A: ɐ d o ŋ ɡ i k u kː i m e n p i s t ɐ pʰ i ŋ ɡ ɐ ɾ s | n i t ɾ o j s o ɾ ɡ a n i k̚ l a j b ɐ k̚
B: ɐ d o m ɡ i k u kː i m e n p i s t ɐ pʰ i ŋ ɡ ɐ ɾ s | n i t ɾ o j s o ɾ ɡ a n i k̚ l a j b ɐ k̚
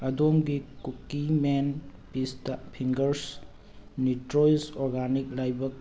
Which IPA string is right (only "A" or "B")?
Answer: B